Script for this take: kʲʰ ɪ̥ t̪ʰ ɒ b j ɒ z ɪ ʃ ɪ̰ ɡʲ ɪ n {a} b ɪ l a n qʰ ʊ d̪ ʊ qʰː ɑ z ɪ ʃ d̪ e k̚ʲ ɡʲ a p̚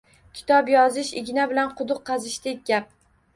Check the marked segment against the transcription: correct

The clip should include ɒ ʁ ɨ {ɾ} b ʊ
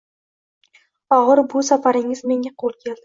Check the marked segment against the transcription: correct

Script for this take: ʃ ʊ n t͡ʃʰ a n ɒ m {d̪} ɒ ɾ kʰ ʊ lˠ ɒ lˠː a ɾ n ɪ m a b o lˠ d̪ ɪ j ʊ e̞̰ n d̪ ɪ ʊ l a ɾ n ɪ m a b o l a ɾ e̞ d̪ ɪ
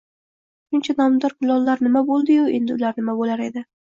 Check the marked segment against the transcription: correct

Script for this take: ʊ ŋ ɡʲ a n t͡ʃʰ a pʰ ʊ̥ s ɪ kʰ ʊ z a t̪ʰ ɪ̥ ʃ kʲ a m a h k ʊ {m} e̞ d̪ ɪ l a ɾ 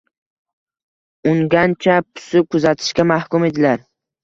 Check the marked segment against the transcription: correct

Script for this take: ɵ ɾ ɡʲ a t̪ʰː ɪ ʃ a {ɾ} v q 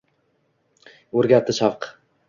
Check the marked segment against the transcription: incorrect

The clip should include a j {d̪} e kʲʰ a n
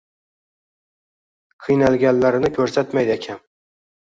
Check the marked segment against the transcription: correct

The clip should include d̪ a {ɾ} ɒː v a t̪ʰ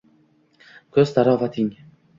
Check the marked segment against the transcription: correct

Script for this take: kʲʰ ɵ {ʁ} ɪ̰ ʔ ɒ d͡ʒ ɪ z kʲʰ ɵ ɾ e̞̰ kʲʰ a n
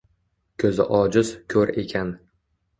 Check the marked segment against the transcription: incorrect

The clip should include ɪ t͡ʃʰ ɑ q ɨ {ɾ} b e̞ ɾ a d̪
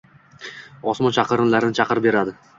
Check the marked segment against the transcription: correct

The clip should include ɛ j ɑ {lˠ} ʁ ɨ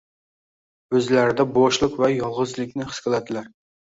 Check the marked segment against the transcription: correct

